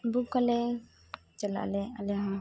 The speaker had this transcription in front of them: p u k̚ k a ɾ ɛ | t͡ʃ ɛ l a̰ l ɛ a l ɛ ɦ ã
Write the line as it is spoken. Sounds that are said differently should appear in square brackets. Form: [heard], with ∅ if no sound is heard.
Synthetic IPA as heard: [b] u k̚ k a [l] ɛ | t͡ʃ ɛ l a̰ l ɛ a l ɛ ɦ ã